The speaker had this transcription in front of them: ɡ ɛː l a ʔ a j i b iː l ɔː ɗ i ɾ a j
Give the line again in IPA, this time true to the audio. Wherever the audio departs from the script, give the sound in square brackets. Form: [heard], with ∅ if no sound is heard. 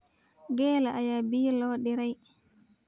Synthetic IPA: ɡ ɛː l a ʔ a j [a] b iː l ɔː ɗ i ɾ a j